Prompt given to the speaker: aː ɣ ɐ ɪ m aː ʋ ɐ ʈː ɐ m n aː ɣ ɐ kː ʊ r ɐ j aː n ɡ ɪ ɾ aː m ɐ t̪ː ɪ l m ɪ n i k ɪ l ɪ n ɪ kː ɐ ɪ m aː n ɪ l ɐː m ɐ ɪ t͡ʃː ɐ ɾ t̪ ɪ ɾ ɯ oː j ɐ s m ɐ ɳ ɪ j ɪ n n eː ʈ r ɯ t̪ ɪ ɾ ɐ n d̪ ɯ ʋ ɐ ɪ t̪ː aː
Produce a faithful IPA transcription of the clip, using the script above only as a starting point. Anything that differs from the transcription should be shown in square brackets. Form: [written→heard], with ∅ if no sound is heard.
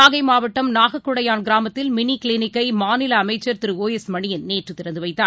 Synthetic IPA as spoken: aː ɣ ɐ ɪ m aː ʋ ɐ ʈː ɐ m n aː ɣ ɐ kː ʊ [r→ɽ] ɐ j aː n ɡ ɪ ɾ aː m ɐ t̪ː ɪ l m ɪ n i k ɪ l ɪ n ɪ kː ɐ ɪ m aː n ɪ l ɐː m ɐ ɪ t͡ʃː ɐ ɾ t̪ ɪ ɾ ɯ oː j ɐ s m ɐ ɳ ɪ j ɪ n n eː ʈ r ɯ t̪ ɪ ɾ ɐ n d̪ ɯ ʋ ɐ ɪ t̪ː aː